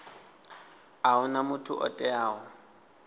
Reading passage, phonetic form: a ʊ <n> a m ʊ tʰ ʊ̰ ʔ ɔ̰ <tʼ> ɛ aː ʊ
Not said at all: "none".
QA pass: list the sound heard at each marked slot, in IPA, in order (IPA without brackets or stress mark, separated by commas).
n, tʼ